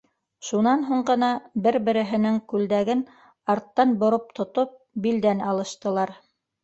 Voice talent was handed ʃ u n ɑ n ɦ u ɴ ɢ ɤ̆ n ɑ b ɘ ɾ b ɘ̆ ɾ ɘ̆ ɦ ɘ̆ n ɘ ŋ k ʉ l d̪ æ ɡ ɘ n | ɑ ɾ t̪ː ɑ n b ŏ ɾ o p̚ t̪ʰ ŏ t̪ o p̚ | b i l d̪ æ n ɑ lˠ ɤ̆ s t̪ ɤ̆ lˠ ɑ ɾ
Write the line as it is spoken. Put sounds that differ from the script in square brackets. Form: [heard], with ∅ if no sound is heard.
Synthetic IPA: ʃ u n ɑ n ɦ u ɴ ɢ ɤ̆ n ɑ b ɘ ɾ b ɘ̆ ɾ ɘ̆ ɦ ɘ̆ n ɘ ŋ k ʉ l d̪ æ ɡ ɘ n | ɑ ɾ t̪ː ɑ n b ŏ ɾ o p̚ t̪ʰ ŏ t̪ o p̚ | b i l d̪ æ n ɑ lˠ ɤ̆ [ʃ] t̪ ɤ̆ lˠ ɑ ɾ